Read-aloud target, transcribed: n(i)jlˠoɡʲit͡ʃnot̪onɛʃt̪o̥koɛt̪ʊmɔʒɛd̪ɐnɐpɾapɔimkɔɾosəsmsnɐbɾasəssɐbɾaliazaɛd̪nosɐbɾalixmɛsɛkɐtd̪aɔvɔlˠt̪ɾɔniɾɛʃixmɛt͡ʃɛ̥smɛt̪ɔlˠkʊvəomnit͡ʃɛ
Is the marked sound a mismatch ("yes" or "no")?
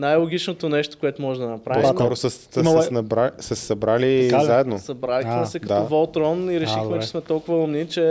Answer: yes